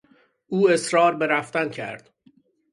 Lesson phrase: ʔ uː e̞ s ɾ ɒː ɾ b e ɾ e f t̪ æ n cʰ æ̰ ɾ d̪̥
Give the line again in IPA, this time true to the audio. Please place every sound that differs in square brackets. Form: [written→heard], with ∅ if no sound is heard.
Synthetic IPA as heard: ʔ uː e̞ s ɾ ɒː ɾ b e ɾ [e→æ] f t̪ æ n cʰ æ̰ ɾ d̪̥